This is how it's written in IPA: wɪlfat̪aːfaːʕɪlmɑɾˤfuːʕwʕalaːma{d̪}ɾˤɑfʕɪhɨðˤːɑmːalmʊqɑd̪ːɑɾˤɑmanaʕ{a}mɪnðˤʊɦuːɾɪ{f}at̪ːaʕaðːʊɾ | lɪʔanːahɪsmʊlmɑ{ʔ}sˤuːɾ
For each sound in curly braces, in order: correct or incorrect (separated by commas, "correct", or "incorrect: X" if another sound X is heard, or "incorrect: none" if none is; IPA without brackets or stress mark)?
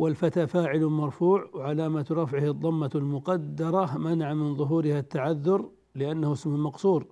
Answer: incorrect: t̪, correct, incorrect: h, incorrect: q